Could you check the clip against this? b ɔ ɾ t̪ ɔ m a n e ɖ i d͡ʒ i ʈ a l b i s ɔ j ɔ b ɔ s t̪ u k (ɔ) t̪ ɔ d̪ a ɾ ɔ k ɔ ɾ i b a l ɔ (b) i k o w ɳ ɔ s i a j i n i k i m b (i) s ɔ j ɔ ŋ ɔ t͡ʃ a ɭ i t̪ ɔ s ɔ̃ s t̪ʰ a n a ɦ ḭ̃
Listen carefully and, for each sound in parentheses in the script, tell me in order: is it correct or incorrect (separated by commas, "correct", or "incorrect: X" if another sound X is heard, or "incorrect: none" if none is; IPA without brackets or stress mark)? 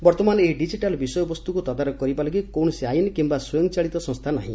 incorrect: u, incorrect: ɡ, incorrect: a